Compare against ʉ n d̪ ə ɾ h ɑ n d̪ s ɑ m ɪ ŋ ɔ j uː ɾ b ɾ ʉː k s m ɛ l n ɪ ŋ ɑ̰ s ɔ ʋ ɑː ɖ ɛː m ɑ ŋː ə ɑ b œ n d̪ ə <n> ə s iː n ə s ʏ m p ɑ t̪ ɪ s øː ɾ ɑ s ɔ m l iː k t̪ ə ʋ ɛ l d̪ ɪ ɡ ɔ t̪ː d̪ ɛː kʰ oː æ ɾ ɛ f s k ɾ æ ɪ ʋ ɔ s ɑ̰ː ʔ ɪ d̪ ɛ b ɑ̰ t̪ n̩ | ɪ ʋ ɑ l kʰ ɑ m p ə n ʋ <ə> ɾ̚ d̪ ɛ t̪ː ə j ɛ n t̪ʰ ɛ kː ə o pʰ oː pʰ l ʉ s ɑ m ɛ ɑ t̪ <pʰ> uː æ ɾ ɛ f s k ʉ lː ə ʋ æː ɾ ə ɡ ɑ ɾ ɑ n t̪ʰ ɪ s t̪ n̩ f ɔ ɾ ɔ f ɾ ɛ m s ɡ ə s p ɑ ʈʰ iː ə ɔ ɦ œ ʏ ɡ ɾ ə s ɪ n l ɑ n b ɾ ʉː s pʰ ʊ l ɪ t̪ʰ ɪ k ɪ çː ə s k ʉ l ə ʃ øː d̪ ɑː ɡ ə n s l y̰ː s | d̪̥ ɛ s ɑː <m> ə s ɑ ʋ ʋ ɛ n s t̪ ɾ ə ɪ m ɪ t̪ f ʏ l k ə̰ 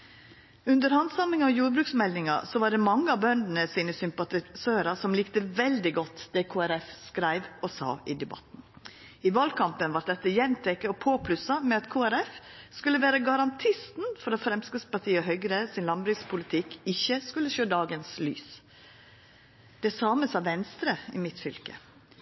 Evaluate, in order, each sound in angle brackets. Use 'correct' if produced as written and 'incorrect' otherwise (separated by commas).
correct, incorrect, incorrect, correct